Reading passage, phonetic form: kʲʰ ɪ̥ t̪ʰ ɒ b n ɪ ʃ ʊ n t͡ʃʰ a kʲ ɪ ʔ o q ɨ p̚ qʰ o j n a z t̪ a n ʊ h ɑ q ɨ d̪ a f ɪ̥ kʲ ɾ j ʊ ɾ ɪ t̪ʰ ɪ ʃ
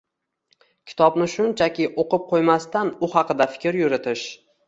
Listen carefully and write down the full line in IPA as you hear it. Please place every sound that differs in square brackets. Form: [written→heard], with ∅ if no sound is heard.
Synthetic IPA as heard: kʲʰ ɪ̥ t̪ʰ ɒ b n ɪ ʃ ʊ n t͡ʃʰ a kʲ ɪ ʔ o q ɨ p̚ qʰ o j [n→m] a [z→s] t̪ a n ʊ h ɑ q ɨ d̪ a f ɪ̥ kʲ ɾ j ʊ ɾ ɪ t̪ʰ ɪ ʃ